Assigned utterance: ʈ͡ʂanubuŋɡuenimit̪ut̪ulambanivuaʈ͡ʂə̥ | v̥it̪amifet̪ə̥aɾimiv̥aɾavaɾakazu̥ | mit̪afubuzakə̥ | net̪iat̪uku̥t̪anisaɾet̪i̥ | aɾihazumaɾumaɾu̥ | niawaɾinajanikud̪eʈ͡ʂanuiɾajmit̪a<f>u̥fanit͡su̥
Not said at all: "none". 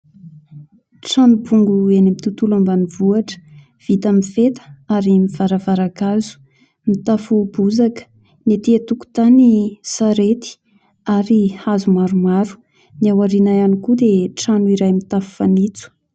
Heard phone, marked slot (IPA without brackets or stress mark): f